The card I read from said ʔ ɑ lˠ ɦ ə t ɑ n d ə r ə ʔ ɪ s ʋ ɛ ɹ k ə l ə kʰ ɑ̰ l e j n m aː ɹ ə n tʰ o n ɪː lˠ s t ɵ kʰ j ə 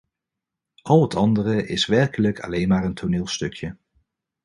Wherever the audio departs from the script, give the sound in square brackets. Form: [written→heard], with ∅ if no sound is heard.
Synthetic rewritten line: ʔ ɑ lˠ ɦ ə t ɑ n d ə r ə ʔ ɪ s ʋ ɛ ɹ k ə l ə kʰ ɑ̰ l e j n m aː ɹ ə n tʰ o n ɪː lˠ s t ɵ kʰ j ə